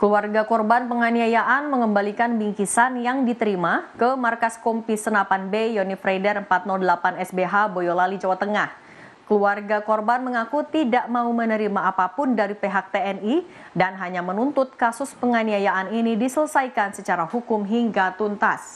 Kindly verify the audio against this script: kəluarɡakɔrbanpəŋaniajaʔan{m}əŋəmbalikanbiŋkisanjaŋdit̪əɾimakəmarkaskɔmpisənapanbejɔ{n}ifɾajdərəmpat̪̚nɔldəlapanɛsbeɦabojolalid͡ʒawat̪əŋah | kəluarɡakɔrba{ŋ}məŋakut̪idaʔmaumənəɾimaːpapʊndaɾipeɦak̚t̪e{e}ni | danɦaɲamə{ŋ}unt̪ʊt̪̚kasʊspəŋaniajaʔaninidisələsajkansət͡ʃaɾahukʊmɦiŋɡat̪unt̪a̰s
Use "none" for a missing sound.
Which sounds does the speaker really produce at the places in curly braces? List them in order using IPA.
m, n, n, ɛ, n

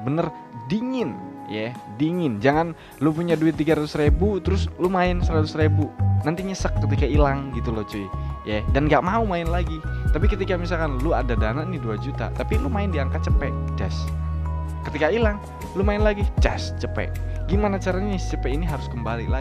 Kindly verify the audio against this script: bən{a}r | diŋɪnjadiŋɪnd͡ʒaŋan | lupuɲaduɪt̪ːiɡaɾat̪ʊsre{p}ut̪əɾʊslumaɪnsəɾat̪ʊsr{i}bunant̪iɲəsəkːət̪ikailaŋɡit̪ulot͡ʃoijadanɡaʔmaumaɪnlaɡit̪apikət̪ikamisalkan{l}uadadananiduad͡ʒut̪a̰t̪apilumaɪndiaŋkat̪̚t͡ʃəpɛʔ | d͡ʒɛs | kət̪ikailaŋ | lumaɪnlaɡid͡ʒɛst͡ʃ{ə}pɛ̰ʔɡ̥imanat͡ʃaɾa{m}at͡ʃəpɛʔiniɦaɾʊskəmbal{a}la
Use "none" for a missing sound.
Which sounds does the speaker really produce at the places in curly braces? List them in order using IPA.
ə, b, e, l, ə, ɲ, i

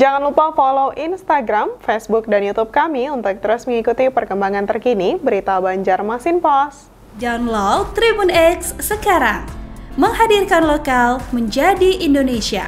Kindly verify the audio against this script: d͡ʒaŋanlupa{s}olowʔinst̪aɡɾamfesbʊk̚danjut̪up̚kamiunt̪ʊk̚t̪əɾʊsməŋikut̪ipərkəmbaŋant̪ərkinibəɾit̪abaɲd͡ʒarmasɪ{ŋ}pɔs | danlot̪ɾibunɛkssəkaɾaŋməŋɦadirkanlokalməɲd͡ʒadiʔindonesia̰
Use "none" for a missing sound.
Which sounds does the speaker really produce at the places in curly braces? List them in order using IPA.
f, n

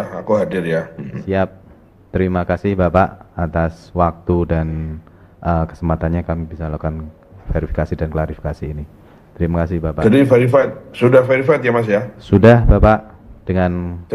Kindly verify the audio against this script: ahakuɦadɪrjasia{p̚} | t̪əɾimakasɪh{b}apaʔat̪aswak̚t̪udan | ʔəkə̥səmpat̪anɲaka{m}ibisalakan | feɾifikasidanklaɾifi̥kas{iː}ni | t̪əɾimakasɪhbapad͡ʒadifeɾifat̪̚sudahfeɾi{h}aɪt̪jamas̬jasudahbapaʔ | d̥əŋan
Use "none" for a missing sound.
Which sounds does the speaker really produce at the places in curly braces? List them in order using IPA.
p̚, b, m, iː, f

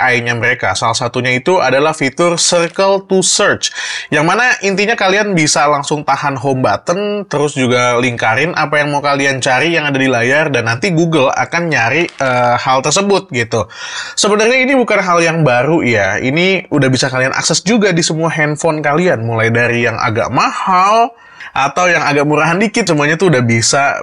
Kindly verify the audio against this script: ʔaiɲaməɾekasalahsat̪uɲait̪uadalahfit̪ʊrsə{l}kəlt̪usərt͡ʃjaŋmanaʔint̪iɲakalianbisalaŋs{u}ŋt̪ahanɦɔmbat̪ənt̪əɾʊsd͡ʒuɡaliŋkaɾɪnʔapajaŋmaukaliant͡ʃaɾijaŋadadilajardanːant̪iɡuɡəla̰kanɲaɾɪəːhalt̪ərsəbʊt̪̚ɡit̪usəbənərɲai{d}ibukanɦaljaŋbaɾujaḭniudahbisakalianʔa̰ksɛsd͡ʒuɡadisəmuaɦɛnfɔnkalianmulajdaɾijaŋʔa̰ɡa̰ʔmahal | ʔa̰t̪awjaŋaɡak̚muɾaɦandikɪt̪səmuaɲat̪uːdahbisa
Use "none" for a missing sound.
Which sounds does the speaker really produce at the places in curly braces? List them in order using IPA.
r, ʊ, n

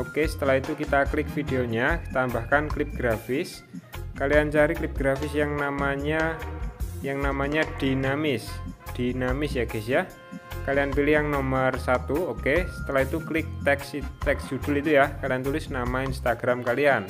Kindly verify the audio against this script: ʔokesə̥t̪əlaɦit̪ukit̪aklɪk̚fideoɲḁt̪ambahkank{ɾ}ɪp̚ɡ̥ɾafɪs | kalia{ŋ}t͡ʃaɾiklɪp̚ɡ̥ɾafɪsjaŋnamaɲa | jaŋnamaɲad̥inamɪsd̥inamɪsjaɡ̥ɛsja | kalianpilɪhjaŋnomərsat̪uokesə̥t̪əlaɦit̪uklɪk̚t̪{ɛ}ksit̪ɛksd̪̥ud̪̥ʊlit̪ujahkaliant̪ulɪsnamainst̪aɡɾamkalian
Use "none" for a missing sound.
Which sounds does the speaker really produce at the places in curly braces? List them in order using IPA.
l, n, ɛ

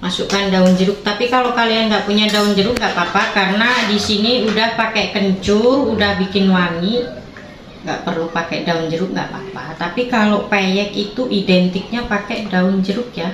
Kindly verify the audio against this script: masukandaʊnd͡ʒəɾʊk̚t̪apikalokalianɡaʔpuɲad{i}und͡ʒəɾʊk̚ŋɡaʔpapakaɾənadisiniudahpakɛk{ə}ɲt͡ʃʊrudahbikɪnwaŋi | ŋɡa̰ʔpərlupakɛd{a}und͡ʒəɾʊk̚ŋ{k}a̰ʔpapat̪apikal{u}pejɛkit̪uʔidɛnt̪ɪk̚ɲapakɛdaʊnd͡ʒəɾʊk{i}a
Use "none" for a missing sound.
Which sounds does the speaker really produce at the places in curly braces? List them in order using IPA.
a, ə, a, ɡ, o, j

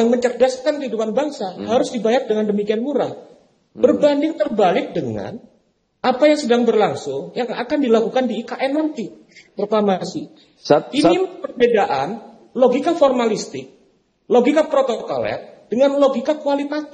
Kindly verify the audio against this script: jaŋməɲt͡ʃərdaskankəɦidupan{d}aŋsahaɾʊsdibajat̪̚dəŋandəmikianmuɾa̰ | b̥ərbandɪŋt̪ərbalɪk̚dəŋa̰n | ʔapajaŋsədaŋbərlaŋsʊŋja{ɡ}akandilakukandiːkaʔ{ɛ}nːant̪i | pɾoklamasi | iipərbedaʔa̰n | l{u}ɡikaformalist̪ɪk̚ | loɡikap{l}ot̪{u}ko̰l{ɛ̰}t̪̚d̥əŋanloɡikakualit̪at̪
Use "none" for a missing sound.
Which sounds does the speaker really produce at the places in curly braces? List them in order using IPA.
b, ŋ, ɛ, o, ɾ, o, ɛ̰

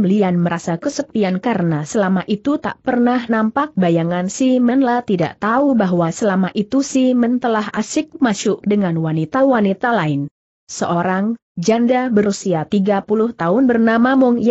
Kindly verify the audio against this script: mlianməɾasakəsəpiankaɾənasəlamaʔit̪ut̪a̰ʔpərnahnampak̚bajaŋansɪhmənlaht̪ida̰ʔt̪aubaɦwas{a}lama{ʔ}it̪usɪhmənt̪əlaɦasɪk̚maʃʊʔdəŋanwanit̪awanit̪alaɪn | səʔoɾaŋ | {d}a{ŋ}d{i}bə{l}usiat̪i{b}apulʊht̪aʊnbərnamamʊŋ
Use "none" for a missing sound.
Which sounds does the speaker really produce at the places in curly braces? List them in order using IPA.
ə, ʔ, d͡ʒ, n, a, ɾ, ɡ

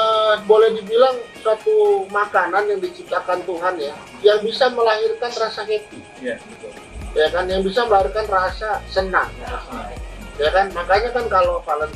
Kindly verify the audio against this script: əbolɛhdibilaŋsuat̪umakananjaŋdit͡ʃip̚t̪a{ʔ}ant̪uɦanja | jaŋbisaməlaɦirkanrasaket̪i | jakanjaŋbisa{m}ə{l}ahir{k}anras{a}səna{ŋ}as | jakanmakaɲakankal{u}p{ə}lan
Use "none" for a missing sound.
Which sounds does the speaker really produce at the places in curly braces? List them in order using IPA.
k, m, l, k, a, ŋ, o, a

